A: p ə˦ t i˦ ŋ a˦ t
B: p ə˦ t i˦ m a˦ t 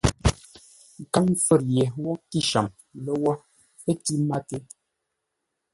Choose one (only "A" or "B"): B